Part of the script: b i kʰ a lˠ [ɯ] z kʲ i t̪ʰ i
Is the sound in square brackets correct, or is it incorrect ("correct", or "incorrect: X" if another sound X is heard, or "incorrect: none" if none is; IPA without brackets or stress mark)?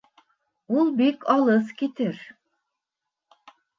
correct